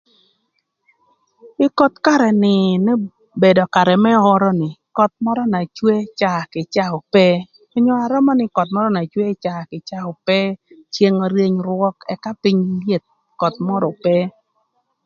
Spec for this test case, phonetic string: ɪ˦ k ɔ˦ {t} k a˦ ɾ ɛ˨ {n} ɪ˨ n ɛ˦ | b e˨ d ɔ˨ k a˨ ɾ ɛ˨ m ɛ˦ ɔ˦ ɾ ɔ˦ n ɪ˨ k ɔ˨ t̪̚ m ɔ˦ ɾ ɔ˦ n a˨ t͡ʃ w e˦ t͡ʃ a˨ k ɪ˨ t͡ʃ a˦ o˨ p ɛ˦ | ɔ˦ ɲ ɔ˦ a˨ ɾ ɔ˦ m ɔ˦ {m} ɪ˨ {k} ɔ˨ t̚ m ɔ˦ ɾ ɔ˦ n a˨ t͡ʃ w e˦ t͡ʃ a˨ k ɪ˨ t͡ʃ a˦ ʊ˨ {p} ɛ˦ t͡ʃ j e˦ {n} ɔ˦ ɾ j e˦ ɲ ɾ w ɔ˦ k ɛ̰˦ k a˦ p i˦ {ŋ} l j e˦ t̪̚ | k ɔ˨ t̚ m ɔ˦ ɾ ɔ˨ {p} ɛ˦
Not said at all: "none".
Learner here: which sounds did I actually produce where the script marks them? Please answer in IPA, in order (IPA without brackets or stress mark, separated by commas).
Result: t, n, n, k, p, ŋ, ɲ, p